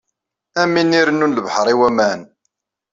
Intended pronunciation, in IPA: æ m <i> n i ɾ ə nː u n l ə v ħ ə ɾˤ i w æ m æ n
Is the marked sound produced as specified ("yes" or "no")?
yes